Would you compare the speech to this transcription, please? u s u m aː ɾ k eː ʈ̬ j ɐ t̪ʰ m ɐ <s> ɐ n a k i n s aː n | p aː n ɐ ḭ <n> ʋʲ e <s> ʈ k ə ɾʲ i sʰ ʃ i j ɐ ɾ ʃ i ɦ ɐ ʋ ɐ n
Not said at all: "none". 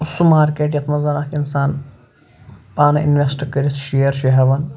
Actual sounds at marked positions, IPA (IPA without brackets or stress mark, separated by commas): z, n, s